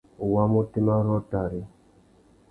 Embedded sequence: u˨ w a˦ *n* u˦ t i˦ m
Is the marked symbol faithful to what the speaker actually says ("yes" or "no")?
no